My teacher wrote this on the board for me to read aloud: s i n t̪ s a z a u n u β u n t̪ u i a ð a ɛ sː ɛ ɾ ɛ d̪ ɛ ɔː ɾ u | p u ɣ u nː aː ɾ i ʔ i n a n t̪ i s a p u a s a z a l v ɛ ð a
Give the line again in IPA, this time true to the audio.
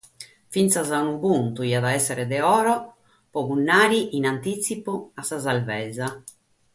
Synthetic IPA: f i n t̪ s a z a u n u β u n t̪ u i a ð a ɛ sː ɛ ɾ ɛ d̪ ɛ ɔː ɾ ɔ | p ɔ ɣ u nː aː ɾ i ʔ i n a n t̪ i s i p u a s a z a l v ɛ z a